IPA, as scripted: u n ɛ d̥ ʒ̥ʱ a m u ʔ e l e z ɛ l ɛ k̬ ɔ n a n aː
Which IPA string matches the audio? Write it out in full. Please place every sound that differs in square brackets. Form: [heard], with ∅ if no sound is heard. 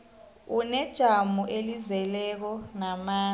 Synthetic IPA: u n ɛ d̥ ʒ̥ʱ a m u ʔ e l [i] z ɛ l ɛ k̬ ɔ n a [m] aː